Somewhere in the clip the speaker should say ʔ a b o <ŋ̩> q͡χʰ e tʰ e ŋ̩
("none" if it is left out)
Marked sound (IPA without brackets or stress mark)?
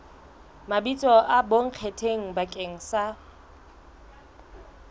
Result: ŋ̩